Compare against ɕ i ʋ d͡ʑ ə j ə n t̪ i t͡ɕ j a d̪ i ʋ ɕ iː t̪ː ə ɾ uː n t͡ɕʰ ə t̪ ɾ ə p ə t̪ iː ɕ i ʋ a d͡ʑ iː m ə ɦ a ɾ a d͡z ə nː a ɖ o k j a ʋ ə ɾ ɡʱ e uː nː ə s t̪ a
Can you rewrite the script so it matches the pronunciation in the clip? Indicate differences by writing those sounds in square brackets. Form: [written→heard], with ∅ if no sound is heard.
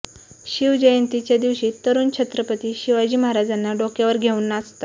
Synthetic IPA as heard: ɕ i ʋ d͡ʑ ə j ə n t̪ i t͡ɕ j a d̪ i ʋ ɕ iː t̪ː ə ɾ uː n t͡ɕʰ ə t̪ ɾ ə p ə t̪ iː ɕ i ʋ a d͡ʑ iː m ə ɦ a ɾ a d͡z [ə→a] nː a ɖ o k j a ʋ ə ɾ ɡʱ e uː nː [ə→a] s t̪ a